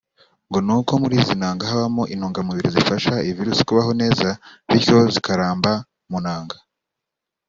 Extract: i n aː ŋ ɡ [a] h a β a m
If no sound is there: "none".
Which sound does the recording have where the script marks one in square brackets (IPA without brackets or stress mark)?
a